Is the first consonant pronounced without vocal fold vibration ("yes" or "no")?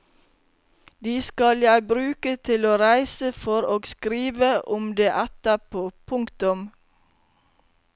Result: no